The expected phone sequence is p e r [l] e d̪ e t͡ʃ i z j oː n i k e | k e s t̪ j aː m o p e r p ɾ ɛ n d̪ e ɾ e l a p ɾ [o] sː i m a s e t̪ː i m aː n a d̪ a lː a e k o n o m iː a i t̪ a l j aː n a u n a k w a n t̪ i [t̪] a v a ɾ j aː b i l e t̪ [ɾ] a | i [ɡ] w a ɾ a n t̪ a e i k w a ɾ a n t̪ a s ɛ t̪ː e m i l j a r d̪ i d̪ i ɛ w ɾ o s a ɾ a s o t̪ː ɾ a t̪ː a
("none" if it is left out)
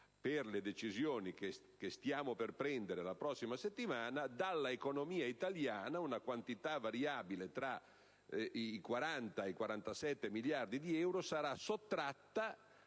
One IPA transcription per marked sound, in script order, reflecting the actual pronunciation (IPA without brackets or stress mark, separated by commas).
l, ɔ, t̪, ɾ, k